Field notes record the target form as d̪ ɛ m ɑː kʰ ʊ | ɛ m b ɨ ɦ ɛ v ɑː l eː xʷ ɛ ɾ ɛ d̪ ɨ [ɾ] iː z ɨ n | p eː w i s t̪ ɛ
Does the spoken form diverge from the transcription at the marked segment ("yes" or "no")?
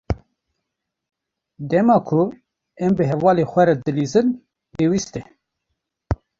yes